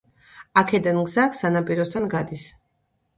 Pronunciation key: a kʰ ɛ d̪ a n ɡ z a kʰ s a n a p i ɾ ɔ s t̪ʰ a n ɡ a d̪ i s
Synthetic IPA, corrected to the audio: a kʰ ɛ d̪ a n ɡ z a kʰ s a n a pʼ i ɾ ɔ s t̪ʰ a n ɡ a d̪ i s

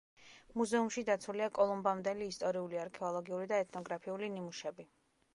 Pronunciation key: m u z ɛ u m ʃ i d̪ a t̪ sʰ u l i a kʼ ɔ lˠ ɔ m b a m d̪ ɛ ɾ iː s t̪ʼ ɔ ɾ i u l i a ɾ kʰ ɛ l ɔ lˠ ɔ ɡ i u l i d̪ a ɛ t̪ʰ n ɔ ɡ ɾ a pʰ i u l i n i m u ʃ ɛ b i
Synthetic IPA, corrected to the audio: m u z ɛ u m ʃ i d̪ a t̪ sʰ u l i a kʼ ɔ lˠ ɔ m b a m d̪ ɛ l iː s t̪ʼ ɔ ɾ i u l i a ɾ kʰ ɛ ɔ lˠ ɔ ɡ i u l i d̪ a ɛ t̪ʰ n ɔ ɡ ɾ a pʰ i u l i n i m u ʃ ɛ b i

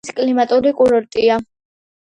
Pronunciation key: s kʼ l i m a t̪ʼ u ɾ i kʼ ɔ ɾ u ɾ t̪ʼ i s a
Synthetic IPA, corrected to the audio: s kʼ l i m a t̪ʼ u ɾ i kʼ u ɾ ɔ ɾ t̪ʼ i a

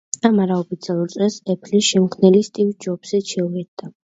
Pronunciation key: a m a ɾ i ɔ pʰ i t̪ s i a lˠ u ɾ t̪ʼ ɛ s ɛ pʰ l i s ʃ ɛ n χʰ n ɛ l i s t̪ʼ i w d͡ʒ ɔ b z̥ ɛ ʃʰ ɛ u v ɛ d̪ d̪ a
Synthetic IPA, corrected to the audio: a m a ɾ a ɔ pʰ i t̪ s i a lˠ u ɾ t̪ʼ ɛ s ɛ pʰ l i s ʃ ɛ m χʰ n ɛ l i s t̪ʼ i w d͡ʒ ɔ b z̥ ɛ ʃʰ ɛ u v ɛ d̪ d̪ a

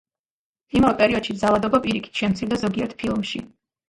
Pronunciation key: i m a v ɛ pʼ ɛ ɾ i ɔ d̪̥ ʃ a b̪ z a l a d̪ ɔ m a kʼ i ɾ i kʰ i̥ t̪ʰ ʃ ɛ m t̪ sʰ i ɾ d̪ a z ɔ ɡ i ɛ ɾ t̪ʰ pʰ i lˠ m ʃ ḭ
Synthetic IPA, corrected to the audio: i m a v ɛ pʼ ɛ ɾ i ɔ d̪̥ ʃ i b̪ z a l a d̪ ɔ b a pʼ i ɾ i kʰ i̥ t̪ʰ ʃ ɛ m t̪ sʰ i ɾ d̪ a z ɔ ɡ i ɛ ɾ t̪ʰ pʰ i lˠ m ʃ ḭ

